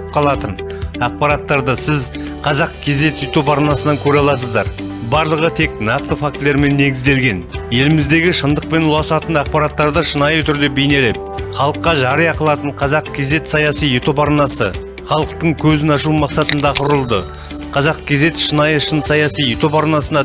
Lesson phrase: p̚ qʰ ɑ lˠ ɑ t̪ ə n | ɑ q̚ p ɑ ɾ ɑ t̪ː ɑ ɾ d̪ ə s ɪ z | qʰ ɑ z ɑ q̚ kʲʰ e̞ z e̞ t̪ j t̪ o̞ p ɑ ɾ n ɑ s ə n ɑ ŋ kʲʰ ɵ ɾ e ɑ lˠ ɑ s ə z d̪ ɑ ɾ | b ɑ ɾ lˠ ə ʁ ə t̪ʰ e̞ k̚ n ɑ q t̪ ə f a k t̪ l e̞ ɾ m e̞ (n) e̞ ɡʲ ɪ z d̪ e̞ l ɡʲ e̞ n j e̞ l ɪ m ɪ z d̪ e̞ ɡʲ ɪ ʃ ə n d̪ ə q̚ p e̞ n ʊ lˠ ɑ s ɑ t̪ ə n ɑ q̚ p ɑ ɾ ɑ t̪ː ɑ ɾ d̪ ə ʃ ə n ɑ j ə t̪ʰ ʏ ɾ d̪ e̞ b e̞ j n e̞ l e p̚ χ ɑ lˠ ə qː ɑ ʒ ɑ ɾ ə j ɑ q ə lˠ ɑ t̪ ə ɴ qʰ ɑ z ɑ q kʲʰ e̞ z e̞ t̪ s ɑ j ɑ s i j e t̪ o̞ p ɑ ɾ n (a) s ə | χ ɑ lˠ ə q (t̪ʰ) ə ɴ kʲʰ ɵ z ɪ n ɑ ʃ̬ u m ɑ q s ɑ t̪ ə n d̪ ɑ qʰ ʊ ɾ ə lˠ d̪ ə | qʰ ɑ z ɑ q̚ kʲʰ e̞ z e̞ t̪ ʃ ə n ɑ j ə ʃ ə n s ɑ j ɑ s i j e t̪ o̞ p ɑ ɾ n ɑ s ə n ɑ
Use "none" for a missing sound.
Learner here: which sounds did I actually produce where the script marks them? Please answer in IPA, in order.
nː, ɑ, t̪

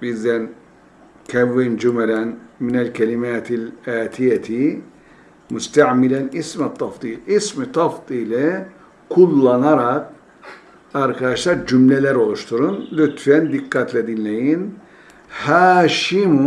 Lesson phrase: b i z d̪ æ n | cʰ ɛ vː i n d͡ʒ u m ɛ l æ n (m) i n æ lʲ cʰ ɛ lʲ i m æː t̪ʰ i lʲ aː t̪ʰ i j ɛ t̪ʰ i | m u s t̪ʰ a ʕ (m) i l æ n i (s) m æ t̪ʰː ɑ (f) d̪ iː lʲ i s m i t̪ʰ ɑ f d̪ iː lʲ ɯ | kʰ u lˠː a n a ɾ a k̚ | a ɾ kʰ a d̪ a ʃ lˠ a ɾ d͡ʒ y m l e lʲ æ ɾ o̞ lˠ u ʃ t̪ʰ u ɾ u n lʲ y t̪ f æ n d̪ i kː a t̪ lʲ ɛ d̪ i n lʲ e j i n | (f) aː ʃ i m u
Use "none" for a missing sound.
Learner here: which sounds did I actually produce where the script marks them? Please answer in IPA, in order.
m, m, s, f, h

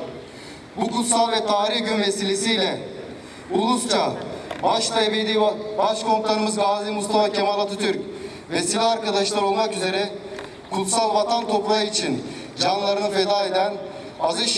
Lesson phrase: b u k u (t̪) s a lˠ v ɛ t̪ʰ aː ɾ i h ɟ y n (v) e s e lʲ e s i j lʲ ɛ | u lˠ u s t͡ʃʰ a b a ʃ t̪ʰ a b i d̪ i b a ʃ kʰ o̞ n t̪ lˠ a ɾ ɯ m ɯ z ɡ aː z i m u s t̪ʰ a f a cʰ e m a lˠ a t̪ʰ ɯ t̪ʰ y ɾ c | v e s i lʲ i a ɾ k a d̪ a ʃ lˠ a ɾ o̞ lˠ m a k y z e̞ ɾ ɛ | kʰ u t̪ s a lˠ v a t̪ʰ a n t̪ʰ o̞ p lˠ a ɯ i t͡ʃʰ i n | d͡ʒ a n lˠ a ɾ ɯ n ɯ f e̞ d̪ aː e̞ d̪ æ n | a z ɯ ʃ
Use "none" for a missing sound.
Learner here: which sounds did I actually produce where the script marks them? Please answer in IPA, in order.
t̪, v

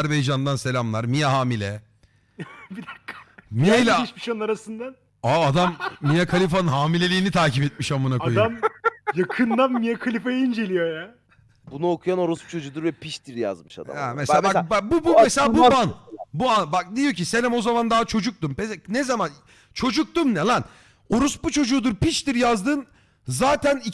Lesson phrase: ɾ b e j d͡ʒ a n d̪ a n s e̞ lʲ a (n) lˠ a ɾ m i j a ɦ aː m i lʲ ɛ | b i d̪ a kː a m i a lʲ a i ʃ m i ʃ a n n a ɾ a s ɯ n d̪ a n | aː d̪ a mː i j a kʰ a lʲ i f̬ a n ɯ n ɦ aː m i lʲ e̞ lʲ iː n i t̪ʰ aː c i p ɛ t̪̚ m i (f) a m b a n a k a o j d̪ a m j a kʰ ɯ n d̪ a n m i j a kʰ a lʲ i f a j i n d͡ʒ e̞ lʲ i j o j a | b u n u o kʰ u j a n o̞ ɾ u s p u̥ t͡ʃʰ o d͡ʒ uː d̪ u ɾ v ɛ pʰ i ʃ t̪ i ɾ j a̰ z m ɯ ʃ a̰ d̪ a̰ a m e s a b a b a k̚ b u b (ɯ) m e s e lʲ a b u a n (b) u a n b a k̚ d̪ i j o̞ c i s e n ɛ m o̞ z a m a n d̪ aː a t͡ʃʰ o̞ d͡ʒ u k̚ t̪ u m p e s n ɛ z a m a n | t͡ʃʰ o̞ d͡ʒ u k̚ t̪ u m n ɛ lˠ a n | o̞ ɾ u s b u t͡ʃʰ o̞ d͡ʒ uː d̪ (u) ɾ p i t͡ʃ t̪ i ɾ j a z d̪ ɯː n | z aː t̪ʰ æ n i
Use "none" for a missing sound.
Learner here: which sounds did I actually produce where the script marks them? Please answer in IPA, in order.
m, ʃ, u, b, u

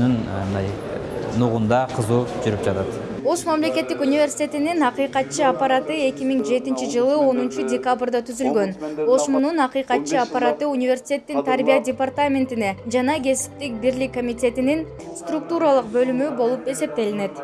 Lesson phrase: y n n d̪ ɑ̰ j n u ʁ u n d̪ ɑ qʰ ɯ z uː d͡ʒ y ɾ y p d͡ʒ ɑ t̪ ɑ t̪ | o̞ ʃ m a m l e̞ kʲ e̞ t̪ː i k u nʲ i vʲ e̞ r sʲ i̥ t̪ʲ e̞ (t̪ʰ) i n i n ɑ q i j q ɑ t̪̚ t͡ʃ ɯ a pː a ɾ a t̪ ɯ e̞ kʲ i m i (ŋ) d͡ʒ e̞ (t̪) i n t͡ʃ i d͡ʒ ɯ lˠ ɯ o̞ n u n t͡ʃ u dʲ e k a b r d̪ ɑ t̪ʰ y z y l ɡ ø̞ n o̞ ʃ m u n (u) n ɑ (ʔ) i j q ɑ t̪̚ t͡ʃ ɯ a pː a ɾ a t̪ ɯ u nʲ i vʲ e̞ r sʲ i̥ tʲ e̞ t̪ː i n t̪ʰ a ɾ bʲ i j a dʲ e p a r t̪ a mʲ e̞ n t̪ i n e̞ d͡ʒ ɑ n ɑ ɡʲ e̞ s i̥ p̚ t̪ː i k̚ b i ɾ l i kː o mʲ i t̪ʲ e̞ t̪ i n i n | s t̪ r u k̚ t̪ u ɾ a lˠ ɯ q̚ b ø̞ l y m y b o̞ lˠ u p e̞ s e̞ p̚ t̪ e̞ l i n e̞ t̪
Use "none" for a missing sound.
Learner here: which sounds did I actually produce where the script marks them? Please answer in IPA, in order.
t̪, ŋ, t̪, u, q

